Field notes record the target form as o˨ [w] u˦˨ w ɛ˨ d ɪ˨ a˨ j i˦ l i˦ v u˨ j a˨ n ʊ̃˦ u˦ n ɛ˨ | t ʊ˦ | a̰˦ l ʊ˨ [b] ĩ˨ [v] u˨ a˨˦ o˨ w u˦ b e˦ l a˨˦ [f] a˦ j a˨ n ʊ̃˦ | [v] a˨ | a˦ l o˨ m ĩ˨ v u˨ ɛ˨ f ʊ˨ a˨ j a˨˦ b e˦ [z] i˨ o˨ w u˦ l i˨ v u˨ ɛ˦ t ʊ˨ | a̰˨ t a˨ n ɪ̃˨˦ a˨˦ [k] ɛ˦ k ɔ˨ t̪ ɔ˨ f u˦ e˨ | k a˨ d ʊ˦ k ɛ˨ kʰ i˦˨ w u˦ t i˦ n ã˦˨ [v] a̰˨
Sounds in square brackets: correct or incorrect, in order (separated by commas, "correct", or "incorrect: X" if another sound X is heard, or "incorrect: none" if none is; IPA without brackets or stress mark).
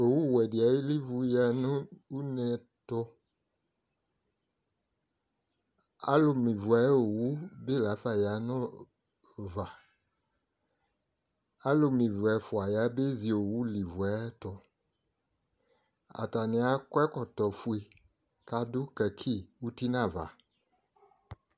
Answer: correct, incorrect: m, correct, correct, correct, correct, correct, correct